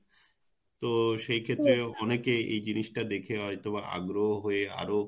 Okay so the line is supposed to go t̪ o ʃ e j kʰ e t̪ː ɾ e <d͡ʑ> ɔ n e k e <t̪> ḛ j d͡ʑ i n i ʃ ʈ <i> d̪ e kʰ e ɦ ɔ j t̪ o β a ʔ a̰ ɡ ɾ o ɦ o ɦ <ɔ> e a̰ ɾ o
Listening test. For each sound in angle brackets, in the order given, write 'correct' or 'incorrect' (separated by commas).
incorrect, incorrect, incorrect, incorrect